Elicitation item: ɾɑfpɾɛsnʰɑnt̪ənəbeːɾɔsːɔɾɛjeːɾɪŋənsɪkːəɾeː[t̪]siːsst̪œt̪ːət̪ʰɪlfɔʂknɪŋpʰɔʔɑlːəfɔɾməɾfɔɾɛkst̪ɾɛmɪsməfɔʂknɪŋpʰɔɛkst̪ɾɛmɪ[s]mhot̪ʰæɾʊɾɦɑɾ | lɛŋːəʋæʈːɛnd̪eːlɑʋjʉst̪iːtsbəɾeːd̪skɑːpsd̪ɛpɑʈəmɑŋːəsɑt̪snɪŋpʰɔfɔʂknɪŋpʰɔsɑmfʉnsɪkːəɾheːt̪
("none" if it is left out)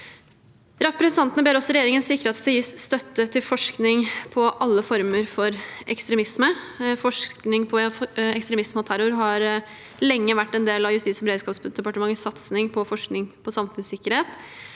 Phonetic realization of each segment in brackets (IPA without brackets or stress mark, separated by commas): t̪, s